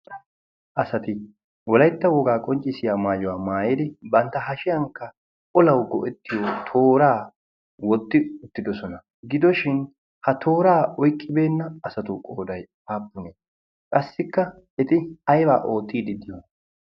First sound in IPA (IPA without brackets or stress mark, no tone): ʔ